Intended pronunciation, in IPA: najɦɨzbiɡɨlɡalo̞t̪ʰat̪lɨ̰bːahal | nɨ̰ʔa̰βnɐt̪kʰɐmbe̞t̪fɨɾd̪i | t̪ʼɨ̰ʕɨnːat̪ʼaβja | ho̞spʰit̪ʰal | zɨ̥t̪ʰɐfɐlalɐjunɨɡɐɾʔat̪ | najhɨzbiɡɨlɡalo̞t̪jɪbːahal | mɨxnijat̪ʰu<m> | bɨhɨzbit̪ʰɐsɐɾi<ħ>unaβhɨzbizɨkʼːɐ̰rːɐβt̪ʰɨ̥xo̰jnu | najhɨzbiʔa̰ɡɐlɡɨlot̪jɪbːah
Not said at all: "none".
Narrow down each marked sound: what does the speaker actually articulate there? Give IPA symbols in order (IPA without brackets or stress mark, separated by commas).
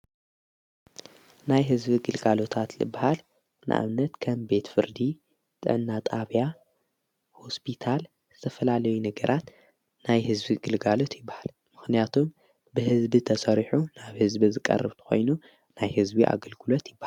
m, ħ